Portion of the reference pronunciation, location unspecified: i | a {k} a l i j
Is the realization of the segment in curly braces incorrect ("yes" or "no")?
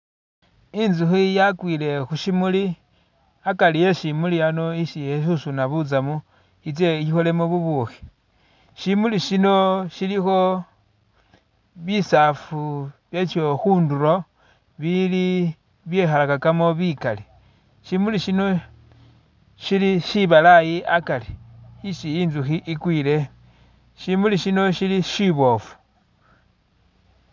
no